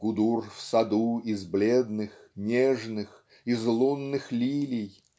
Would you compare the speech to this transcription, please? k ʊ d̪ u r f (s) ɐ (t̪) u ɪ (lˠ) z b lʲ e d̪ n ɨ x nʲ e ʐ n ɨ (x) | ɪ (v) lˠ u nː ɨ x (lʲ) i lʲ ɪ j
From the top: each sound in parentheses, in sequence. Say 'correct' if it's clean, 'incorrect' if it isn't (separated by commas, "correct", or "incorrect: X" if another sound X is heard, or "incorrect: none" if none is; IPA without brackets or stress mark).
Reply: correct, incorrect: d̪, incorrect: none, correct, incorrect: z, correct